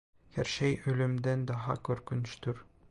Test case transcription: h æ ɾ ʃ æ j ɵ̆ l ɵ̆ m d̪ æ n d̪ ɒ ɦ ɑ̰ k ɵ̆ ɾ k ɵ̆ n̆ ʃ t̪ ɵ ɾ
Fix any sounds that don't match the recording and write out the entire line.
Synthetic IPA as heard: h æ ɾ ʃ æ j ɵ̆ l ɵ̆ m d̪ æ n d̪ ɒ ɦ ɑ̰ k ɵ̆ ɾ k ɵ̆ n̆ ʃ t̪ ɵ ɾ